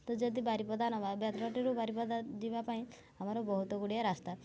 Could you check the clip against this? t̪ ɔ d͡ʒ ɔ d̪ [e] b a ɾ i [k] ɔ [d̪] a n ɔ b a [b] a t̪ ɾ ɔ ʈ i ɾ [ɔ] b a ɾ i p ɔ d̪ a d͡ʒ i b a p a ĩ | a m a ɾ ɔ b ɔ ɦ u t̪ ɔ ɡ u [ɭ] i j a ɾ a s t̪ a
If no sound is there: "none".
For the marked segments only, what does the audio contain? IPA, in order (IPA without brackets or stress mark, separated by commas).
i, p, d̪, b, u, ɽ